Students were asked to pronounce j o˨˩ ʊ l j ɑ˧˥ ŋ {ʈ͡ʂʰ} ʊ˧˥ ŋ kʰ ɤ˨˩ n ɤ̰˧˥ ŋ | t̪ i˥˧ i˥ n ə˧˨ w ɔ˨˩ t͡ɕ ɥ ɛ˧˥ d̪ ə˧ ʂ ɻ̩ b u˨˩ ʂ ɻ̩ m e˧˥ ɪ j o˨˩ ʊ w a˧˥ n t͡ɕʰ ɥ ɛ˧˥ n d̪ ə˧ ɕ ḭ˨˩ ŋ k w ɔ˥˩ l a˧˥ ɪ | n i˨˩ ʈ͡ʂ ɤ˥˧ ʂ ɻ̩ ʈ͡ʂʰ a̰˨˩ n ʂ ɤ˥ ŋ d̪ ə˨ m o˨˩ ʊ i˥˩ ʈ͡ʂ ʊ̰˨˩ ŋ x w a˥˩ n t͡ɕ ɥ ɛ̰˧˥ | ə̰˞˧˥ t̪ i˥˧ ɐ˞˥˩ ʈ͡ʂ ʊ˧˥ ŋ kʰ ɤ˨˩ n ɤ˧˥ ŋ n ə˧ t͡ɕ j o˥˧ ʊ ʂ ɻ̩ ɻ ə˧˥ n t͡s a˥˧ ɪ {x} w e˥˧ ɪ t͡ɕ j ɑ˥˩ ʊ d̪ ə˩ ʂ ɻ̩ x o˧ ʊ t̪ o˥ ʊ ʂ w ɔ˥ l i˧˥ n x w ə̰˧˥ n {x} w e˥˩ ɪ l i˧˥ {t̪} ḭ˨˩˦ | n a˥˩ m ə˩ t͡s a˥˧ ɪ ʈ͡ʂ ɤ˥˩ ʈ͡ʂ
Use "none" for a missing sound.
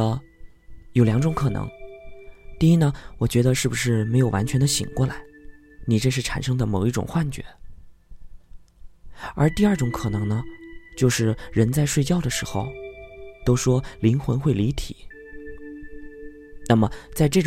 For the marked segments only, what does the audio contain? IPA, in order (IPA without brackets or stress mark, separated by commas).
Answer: ʈ͡ʂ, ʂ, x, t̪ʰ